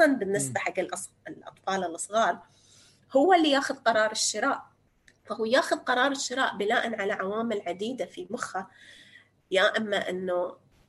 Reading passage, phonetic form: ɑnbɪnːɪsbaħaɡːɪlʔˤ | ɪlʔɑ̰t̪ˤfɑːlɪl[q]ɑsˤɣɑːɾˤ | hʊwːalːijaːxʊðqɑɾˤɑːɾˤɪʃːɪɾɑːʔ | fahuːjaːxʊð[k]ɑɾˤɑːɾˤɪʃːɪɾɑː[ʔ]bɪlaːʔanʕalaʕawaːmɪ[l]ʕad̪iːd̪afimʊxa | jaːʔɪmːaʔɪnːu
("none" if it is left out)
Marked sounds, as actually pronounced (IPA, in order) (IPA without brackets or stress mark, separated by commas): ʔ, q, ʔ, l